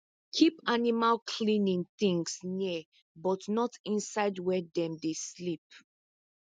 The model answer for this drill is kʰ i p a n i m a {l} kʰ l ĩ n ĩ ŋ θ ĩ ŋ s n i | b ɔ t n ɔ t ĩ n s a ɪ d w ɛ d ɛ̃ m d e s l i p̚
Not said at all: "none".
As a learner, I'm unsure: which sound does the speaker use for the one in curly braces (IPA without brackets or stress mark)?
l